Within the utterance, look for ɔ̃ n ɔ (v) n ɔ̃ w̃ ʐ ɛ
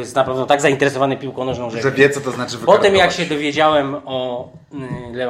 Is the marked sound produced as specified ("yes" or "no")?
no